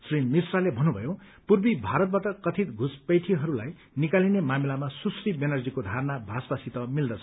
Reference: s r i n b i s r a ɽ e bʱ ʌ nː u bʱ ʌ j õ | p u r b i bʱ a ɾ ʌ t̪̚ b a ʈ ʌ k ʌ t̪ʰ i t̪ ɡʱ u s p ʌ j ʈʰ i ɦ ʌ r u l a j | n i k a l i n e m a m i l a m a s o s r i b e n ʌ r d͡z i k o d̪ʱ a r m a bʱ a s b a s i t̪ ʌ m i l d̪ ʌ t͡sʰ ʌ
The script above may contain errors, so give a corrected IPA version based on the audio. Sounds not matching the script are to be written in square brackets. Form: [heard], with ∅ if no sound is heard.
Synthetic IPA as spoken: s r i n [m] i s r a [l] e bʱ ʌ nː u bʱ ʌ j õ | p u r b i bʱ a ɾ ʌ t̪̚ b a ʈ ʌ k ʌ t̪ʰ i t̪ ɡʱ u s p ʌ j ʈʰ i ɦ ʌ [ɾ] u l a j | n i k a l i n e m a m i l a m a s [u] s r i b e n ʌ r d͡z i k o d̪ʱ a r [n] a bʱ a s b a s i t̪ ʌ m i l d̪ ʌ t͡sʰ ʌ